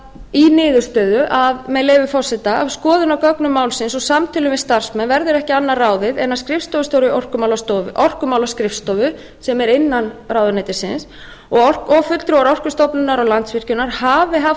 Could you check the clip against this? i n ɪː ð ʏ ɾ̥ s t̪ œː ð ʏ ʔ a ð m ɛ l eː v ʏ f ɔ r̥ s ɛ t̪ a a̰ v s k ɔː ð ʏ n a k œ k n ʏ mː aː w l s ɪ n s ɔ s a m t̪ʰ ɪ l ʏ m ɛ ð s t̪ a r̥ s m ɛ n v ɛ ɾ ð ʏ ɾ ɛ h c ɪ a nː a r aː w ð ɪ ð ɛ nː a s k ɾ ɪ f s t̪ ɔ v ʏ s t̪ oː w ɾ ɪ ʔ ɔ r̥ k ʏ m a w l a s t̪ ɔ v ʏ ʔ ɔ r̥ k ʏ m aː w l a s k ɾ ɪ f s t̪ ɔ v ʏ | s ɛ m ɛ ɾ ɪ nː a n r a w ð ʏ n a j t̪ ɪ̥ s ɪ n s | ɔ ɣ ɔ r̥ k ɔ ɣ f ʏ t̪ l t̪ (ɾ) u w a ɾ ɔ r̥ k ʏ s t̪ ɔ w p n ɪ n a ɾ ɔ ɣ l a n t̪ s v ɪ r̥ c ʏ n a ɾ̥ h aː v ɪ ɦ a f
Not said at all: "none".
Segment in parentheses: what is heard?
ɾ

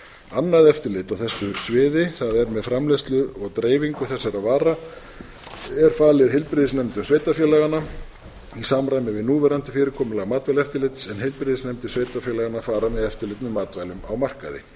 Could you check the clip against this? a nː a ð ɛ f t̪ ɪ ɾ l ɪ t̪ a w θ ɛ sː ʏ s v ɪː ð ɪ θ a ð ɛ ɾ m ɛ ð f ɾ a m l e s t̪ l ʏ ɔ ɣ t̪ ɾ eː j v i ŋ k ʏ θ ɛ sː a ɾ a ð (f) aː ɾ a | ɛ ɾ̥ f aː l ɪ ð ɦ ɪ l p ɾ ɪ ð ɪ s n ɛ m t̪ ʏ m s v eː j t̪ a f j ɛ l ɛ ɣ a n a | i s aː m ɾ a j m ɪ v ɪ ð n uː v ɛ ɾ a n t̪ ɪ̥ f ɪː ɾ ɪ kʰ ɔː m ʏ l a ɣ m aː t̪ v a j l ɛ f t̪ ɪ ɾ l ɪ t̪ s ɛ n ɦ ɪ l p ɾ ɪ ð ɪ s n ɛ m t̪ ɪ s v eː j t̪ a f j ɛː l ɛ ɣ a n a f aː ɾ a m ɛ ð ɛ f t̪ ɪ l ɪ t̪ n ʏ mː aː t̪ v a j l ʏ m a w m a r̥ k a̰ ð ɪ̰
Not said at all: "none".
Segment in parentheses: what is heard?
v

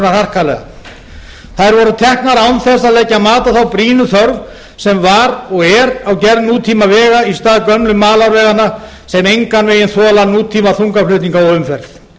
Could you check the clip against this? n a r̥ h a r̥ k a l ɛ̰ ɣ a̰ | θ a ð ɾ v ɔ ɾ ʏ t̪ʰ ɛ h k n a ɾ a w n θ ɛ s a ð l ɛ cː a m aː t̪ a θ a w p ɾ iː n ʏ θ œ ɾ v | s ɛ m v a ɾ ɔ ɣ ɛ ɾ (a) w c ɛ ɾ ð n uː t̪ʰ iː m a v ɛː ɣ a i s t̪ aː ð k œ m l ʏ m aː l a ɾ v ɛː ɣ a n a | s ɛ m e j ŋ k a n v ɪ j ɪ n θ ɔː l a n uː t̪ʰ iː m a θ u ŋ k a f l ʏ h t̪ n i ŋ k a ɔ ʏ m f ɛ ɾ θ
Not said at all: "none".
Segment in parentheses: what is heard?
a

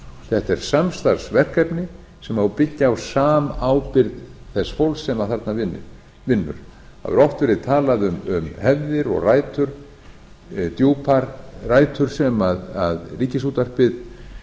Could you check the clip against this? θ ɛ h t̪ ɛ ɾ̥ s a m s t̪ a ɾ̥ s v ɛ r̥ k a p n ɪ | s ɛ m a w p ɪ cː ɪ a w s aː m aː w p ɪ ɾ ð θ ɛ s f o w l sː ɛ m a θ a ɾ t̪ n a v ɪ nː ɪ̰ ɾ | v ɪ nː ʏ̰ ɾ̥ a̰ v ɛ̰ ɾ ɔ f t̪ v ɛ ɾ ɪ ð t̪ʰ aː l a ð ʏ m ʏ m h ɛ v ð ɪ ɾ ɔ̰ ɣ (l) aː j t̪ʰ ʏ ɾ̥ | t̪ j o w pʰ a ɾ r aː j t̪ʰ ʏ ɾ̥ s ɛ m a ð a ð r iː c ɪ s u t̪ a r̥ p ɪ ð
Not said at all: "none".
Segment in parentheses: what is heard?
r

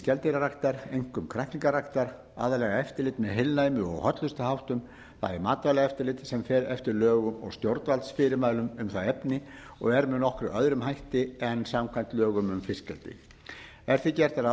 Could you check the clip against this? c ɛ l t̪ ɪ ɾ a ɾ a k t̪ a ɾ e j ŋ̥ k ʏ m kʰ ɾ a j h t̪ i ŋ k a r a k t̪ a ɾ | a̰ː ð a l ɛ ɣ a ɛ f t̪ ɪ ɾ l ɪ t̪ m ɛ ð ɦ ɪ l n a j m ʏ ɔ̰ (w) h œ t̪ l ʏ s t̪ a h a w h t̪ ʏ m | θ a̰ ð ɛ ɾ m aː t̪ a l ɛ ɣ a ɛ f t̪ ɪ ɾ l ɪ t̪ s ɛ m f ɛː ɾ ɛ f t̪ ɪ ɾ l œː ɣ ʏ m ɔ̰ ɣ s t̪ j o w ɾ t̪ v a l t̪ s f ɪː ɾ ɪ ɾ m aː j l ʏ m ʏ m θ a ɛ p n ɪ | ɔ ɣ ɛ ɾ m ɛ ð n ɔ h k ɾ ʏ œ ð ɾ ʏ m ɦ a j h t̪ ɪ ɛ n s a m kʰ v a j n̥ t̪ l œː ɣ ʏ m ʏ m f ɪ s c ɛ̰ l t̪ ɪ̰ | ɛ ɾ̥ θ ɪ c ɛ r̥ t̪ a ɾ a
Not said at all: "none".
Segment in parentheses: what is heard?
ɣ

